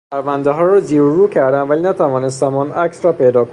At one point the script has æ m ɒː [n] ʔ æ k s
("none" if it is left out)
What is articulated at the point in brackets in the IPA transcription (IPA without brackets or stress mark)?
n